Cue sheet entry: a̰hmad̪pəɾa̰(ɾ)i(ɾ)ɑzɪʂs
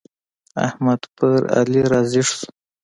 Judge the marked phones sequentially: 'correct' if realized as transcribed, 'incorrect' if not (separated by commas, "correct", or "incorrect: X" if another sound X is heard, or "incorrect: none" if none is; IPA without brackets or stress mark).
incorrect: l, correct